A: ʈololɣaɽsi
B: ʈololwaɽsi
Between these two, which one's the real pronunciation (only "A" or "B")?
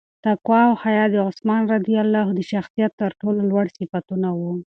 B